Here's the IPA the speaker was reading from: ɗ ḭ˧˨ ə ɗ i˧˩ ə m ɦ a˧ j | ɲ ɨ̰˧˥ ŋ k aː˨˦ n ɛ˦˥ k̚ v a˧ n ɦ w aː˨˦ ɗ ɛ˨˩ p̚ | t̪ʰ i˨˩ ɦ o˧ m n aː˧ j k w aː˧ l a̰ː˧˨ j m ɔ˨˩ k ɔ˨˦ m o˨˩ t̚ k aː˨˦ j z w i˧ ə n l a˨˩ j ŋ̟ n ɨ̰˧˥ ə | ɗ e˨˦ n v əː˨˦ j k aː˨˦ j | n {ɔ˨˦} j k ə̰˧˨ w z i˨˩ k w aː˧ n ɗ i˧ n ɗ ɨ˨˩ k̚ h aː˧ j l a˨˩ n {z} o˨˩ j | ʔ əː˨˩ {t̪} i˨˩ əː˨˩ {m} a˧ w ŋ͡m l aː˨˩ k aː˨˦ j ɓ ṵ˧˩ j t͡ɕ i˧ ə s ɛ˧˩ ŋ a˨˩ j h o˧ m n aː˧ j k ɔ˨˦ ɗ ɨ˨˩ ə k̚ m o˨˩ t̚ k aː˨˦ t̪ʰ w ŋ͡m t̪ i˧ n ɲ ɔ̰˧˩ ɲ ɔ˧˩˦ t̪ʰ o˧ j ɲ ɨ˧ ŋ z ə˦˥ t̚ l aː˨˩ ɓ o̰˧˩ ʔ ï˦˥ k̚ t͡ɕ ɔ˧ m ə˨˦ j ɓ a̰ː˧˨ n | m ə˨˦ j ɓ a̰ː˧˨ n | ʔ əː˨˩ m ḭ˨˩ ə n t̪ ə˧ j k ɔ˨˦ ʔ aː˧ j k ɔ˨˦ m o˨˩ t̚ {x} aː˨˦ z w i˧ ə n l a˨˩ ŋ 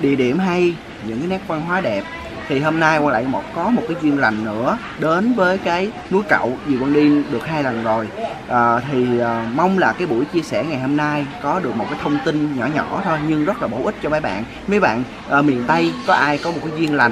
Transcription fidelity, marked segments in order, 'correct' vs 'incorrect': incorrect: u˨˦, correct, incorrect: t̪ʰ, correct, incorrect: k

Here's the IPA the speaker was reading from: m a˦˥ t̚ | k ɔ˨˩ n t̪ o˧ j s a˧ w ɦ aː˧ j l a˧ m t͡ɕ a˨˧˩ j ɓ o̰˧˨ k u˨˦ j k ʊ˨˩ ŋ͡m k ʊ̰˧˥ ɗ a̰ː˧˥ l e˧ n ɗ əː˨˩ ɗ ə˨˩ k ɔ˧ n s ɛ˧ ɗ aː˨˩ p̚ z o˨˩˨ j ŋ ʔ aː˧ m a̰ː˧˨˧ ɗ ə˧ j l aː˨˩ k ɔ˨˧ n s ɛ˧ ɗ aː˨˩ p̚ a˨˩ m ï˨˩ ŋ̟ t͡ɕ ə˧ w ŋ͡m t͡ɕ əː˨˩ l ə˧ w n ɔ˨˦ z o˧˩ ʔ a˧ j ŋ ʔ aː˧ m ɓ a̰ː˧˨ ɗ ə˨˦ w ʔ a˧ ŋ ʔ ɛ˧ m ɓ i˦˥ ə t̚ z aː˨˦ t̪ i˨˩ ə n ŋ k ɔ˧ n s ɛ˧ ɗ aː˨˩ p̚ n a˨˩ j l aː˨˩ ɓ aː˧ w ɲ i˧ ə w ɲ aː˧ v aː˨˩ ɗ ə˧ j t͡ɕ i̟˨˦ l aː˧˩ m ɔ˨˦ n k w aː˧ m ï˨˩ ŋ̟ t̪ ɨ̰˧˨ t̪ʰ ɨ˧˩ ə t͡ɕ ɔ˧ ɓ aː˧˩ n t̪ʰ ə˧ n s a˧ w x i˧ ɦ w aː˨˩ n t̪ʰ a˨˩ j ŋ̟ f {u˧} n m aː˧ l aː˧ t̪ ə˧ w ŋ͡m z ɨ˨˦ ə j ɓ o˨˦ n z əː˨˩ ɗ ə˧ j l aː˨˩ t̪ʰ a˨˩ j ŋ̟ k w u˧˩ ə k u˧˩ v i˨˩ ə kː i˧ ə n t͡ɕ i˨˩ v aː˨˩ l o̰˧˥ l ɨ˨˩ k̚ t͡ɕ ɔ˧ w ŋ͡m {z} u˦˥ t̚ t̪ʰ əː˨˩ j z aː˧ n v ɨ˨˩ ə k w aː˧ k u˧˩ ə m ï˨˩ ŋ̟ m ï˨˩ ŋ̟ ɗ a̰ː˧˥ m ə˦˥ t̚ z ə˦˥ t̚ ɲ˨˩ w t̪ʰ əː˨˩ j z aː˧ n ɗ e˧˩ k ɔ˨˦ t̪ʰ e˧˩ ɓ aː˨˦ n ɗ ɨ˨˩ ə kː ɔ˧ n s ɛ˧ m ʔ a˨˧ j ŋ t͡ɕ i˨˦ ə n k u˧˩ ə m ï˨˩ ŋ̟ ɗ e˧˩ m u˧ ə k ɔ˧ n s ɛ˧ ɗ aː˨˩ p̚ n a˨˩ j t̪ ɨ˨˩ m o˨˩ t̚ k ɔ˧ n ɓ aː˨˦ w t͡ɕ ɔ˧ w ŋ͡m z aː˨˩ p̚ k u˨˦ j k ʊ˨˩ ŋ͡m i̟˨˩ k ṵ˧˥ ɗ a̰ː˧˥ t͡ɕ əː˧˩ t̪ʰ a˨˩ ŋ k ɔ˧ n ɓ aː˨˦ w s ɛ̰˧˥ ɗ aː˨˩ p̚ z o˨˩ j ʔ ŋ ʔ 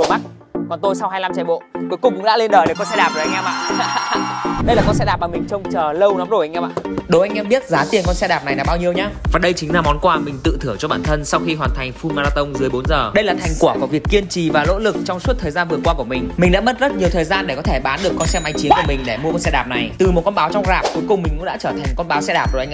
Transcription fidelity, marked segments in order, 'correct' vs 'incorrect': correct, incorrect: s

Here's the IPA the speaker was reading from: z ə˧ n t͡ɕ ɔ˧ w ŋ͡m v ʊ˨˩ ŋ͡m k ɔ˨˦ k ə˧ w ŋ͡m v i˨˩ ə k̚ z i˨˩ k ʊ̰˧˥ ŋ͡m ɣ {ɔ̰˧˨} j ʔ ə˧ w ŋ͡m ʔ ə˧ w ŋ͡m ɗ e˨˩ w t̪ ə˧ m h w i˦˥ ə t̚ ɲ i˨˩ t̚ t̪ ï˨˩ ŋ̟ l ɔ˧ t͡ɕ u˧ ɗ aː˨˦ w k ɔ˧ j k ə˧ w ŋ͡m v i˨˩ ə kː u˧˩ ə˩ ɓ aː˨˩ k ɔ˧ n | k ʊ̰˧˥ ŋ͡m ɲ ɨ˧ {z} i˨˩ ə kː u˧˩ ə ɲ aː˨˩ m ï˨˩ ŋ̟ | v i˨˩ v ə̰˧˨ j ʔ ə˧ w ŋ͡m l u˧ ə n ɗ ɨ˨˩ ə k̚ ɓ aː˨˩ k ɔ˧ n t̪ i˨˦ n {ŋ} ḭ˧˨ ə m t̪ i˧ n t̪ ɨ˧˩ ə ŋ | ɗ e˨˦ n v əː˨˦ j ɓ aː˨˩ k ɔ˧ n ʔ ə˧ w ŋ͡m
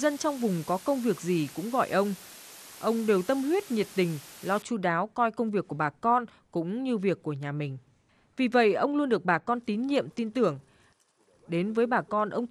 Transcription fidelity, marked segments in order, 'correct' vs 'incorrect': correct, incorrect: v, incorrect: ɲ

